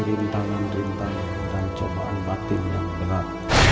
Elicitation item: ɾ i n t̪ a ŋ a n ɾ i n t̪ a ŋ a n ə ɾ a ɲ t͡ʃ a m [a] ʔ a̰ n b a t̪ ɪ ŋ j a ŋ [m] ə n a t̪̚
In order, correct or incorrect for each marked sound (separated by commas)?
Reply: correct, incorrect